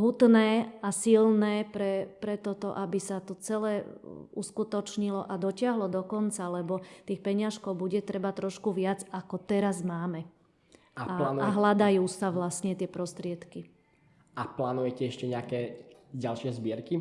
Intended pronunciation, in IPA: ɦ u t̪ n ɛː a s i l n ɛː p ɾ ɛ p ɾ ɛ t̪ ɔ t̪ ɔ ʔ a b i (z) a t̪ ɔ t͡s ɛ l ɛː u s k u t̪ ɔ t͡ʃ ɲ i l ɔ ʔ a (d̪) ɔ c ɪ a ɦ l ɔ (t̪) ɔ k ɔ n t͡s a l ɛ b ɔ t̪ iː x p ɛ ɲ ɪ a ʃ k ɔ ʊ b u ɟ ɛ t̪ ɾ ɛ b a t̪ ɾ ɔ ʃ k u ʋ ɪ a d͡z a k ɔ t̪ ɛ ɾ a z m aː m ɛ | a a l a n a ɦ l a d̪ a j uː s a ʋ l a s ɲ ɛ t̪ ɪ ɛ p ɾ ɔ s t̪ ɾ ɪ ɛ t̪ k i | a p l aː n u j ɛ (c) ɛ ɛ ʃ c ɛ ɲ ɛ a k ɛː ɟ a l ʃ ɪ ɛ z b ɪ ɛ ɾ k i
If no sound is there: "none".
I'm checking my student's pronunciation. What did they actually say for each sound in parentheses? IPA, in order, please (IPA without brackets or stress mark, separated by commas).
s, d̪, d̪, c